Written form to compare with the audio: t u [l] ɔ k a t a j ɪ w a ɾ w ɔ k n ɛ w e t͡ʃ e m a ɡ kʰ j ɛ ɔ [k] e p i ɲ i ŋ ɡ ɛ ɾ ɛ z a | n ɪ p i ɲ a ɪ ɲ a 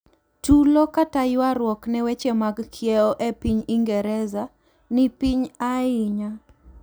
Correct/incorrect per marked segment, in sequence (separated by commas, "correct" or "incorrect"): correct, incorrect